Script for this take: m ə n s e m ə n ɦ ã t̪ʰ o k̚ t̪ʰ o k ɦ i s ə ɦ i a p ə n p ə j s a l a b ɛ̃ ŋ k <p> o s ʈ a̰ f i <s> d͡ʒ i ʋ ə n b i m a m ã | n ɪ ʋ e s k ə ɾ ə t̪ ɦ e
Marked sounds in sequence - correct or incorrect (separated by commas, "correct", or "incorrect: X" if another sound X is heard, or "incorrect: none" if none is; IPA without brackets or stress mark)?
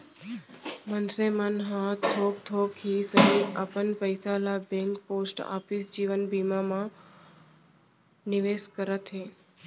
correct, correct